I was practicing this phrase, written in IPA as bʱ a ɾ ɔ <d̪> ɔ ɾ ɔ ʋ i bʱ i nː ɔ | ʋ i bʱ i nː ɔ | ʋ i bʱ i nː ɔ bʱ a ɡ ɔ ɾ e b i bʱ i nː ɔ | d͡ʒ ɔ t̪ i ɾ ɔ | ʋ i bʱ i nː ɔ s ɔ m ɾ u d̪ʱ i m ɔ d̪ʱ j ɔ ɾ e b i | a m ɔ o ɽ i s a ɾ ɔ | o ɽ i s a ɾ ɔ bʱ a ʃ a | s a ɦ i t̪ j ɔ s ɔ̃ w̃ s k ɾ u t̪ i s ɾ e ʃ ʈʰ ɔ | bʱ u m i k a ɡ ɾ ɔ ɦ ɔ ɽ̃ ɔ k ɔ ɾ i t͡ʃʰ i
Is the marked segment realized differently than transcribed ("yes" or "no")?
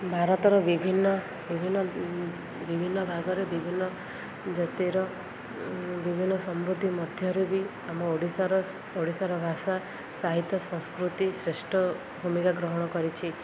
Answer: yes